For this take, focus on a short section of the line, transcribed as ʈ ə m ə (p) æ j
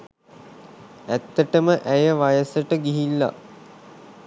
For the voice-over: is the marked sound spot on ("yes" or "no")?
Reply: no